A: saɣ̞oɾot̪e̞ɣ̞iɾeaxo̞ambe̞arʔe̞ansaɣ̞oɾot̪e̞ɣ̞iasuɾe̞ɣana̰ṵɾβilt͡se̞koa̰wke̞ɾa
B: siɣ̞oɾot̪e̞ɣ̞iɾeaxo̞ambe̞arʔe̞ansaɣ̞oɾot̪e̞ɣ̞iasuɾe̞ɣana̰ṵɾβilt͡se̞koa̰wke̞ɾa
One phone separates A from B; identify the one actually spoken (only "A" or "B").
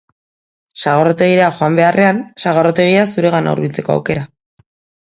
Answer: A